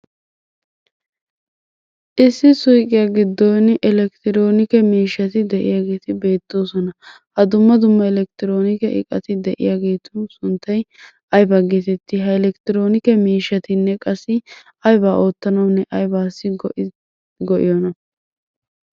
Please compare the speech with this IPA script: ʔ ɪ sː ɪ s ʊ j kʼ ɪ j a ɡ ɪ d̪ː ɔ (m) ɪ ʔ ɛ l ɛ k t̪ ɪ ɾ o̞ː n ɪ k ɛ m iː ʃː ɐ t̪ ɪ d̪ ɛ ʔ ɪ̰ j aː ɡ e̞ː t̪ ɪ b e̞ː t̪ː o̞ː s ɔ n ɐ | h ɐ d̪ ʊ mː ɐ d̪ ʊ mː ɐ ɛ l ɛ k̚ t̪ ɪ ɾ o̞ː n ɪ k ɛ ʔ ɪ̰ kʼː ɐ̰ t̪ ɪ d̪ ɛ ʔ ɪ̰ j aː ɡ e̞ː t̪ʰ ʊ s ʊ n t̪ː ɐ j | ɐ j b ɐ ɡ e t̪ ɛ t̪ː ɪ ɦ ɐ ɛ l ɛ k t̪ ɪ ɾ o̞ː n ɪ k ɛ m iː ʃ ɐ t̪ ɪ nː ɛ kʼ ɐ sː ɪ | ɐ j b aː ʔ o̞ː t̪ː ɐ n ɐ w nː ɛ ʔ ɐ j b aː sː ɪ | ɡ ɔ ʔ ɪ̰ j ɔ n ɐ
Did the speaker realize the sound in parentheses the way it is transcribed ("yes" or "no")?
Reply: no